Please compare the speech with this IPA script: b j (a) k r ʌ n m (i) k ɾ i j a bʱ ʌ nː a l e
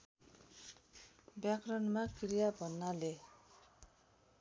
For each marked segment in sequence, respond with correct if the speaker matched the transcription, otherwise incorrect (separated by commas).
correct, incorrect